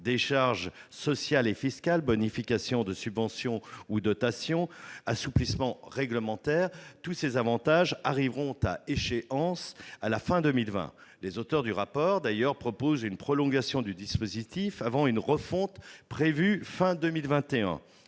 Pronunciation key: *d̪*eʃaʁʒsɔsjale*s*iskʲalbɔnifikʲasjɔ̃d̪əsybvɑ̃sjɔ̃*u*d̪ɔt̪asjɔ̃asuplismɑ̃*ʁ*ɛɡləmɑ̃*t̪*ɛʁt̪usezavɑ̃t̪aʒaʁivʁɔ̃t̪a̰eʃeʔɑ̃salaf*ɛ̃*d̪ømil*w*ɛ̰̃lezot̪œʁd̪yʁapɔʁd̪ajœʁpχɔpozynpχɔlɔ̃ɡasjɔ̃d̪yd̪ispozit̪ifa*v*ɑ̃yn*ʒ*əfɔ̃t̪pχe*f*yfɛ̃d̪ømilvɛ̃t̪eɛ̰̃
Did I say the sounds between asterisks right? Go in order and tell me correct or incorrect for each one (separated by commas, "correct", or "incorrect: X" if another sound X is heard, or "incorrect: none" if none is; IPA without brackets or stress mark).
correct, incorrect: f, correct, correct, correct, correct, incorrect: v, correct, incorrect: ʁ, incorrect: v